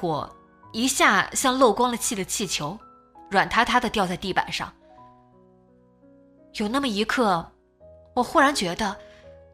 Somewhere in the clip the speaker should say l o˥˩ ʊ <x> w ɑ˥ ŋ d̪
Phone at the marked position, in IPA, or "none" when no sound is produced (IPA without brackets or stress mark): k